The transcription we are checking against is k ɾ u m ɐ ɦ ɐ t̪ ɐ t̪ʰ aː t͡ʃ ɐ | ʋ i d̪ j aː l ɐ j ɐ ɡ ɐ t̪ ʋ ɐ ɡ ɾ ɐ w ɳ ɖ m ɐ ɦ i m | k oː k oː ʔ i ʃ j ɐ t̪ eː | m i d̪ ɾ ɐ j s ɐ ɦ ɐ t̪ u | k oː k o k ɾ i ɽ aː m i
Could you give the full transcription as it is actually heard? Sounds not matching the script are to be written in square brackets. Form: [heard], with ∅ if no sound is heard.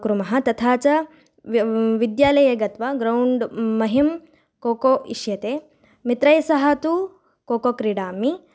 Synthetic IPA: k ɾ u m ɐ ɦ ɐ t̪ ɐ t̪ʰ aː t͡ʃ ɐ | ʋ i d̪ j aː l ɐ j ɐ ɡ ɐ t̪ ʋ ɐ ɡ ɾ ɐ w ɳ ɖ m ɐ ɦ i m | k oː k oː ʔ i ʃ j ɐ t̪ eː | m i [t̪] ɾ ɐ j s ɐ ɦ ɐ t̪ u | k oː k o k ɾ i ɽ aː m i